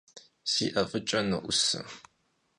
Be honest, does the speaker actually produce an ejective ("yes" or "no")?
yes